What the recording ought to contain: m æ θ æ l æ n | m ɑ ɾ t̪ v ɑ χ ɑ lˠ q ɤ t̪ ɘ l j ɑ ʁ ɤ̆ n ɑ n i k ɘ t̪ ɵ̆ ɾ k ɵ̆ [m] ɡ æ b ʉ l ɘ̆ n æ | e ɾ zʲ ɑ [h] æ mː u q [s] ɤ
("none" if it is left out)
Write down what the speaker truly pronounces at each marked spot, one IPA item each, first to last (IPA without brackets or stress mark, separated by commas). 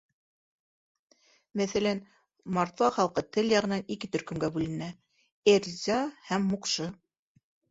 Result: m, h, ʃ